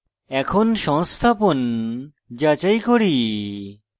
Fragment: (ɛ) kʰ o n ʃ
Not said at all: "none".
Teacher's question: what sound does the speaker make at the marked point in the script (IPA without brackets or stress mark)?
ɛ